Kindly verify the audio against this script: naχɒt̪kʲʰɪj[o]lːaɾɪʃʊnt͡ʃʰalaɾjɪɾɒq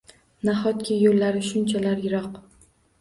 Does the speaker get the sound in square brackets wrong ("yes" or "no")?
no